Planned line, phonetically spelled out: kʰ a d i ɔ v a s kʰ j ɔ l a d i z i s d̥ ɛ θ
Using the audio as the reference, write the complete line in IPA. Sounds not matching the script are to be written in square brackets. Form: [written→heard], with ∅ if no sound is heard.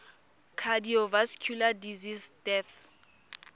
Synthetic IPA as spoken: kʰ a d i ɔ v a s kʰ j [ɔ→u] l a d i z i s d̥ ɛ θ